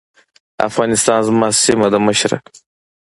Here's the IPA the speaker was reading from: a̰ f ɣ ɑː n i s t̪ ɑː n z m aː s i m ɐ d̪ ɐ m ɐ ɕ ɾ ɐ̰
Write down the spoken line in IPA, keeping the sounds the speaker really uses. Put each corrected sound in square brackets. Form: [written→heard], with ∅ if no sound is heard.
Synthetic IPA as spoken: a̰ f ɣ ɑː n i s t̪ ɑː n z m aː s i m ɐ d̪ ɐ m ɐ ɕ ɾ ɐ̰